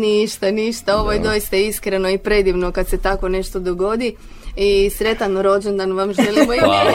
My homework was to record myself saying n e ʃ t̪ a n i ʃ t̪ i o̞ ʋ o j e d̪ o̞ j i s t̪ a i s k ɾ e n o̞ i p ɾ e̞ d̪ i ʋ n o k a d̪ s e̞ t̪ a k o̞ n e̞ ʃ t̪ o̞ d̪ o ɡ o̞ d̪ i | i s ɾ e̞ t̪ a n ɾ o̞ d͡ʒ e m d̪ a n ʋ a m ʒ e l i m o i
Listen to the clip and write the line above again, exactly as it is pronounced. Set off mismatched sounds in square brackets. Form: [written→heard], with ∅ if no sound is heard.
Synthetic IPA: n [e→i] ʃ t̪ a n i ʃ t̪ [i→a] o̞ ʋ o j e d̪ o̞ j i s t̪ a i s k ɾ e n o̞ i p ɾ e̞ d̪ i ʋ n o k a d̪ s e̞ t̪ a k o̞ n e̞ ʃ t̪ o̞ d̪ o ɡ o̞ d̪ i | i s ɾ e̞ t̪ a n ɾ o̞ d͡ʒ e [m→n] d̪ a n ʋ a m ʒ e l i m o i